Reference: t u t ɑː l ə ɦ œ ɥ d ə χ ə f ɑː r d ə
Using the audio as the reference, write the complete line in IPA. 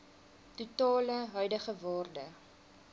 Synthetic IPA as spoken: t u t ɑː l ə ɦ œ ɥ d ə χ ə v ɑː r d ə